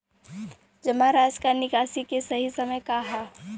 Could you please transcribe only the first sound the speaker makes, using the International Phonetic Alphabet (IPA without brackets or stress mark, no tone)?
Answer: d͡ʒ